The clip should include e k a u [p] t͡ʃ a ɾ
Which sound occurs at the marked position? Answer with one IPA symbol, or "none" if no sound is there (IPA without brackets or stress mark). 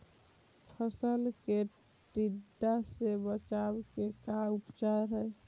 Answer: p